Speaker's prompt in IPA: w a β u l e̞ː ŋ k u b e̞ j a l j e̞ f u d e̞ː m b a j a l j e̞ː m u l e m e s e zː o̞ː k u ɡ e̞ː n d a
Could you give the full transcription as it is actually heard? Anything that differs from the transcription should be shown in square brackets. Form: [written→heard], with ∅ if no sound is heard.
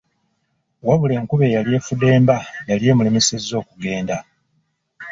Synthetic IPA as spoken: w a β u l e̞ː ŋ k u [b→β] e̞ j a l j e̞ f u d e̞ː m b a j a l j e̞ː m u l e m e s e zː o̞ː k u ɡ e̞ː n d a